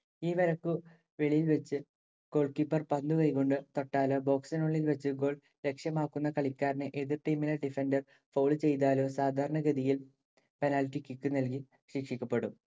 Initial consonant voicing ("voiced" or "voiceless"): voiced